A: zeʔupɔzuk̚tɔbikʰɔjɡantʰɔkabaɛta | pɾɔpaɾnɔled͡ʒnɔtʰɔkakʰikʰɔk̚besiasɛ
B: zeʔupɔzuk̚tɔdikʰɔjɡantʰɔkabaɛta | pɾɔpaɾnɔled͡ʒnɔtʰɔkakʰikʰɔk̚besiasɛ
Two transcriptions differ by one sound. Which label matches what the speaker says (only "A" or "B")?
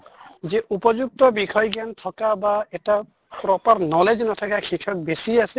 A